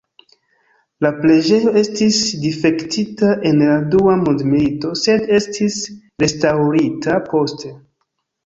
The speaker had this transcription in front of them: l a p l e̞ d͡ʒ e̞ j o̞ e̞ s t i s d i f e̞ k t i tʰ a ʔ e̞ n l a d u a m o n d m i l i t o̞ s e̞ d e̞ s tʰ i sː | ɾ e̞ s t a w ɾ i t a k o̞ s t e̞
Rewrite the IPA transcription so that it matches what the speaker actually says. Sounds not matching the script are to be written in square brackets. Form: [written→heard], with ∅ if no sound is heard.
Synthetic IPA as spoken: l a p l e̞ d͡ʒ e̞ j o̞ e̞ s t i s d i f e̞ k t i [tʰ→t] a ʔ e̞ n l a d u a m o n d m i l i t o̞ s e̞ d e̞ s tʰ i [sː→s] | ɾ e̞ s t a w ɾ i t a [k→p] o̞ s t e̞